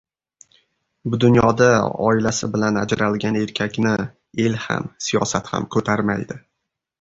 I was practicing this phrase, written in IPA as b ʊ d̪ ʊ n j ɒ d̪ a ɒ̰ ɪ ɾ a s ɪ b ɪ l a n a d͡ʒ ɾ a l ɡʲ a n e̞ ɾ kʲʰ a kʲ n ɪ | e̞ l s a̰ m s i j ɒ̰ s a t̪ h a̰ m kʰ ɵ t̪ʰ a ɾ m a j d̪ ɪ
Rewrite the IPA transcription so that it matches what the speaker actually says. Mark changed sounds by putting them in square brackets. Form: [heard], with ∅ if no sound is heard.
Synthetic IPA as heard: b ʊ d̪ ʊ n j ɒ d̪ a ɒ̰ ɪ [l] a s ɪ b ɪ l a n a d͡ʒ ɾ a l ɡʲ a n e̞ ɾ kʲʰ a kʲ n ɪ | e̞ l [h] a̰ m s i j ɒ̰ s a t̪ h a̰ m kʰ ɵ t̪ʰ a ɾ m a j d̪ ɪ

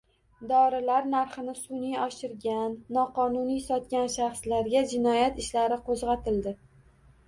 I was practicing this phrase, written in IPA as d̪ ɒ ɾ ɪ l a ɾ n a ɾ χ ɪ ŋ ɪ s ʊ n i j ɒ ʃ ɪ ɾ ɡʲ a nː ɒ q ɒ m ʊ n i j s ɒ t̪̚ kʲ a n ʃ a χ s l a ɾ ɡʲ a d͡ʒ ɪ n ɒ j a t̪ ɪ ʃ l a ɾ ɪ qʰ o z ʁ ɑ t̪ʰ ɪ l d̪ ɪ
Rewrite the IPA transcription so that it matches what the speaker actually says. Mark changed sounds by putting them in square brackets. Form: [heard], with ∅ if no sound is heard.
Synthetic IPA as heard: d̪ ɒ ɾ ɪ l a ɾ n a ɾ χ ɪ [n] ɪ s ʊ n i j ɒ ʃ ɪ ɾ ɡʲ a nː ɒ q ɒ [n] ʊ n i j s ɒ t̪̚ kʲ a n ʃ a χ s l a ɾ ɡʲ a d͡ʒ ɪ n ɒ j a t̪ ɪ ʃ l a ɾ ɪ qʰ o z ʁ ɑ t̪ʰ ɪ l d̪ ɪ

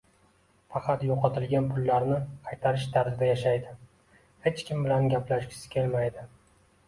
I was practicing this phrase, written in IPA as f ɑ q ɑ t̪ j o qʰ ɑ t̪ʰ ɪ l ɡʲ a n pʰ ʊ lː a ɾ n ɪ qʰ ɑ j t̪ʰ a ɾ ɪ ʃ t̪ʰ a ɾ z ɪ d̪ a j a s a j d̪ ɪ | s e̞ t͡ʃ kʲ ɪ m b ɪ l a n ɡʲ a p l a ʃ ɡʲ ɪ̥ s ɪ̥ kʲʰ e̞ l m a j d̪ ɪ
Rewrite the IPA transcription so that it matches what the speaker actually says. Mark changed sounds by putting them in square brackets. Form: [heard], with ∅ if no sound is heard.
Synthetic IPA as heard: f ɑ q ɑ t̪ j o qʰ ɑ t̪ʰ ɪ l ɡʲ a n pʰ ʊ lː a ɾ n ɪ qʰ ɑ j t̪ʰ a ɾ ɪ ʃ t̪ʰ a ɾ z ɪ d̪ a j a [ʃ] a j d̪ ɪ | [h] e̞ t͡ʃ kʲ ɪ m b ɪ l a n ɡʲ a p l a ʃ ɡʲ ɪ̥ s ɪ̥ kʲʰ e̞ l m a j d̪ ɪ

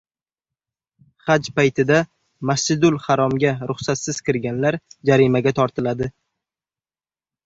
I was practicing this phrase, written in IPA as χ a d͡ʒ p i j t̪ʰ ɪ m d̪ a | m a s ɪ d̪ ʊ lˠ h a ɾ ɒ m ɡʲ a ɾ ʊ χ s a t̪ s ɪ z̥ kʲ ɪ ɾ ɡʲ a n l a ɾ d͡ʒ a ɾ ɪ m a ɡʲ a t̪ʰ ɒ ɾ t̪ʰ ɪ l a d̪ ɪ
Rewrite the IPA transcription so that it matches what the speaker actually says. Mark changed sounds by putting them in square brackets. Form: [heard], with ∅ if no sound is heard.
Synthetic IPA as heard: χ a d͡ʒ p [a] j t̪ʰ ɪ [∅] d̪ a | m a s ɪ d̪ ʊ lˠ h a ɾ ɒ m ɡʲ a ɾ ʊ χ s a t̪ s ɪ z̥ kʲ ɪ ɾ ɡʲ a n l a ɾ d͡ʒ a ɾ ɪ m a ɡʲ a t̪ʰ ɒ ɾ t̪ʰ ɪ l a d̪ ɪ

